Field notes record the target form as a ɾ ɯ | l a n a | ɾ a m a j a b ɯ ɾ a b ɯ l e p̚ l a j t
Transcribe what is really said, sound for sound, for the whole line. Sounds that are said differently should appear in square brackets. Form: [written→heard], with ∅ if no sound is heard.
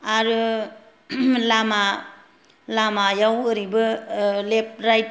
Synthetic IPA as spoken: a ɾ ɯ | l a [n→m] a | [ɾ→l] a m a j a [b→w] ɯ ɾ [a→i] b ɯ l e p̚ [l→ɾ] a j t